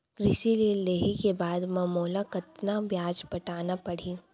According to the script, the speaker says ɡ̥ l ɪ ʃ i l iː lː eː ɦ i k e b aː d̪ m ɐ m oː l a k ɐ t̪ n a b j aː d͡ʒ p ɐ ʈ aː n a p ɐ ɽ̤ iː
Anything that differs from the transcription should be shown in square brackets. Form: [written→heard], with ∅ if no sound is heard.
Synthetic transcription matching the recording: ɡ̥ [l→ɾ] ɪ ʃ i l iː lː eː ɦ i k e b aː d̪ m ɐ m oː l a k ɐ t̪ n a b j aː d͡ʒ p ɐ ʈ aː n a p ɐ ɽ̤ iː